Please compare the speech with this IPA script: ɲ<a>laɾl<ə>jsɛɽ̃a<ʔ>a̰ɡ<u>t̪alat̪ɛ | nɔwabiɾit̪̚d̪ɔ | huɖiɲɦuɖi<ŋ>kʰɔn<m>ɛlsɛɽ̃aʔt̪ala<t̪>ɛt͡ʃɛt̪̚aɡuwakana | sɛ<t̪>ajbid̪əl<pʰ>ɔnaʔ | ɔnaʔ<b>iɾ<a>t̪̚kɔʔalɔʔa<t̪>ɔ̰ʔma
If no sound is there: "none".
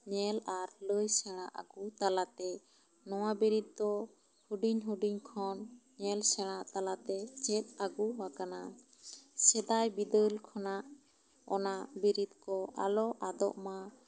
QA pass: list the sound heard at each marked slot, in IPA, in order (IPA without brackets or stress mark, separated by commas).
ɛ, ə, ʔ, u, ɲ, ɲ, t̪, d̪, kʰ, b, i, d̪